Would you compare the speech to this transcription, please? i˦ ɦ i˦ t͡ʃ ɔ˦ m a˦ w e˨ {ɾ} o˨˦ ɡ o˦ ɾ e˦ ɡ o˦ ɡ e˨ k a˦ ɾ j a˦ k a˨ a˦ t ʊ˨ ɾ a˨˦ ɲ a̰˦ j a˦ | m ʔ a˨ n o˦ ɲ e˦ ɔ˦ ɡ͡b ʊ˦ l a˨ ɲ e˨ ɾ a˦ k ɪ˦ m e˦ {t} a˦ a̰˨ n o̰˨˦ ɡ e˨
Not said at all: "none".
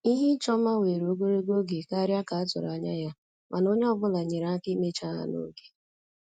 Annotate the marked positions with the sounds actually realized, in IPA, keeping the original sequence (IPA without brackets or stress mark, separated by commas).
ɾ, t͡ʃ